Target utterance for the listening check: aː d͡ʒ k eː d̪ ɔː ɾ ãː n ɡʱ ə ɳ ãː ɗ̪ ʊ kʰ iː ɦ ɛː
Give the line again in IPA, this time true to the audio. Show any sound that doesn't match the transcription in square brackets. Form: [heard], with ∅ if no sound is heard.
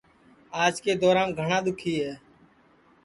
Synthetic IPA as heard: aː d͡ʒ k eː d̪ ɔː ɾ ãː n ɡʱ ə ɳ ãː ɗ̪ ʊ kʰ iː ɦ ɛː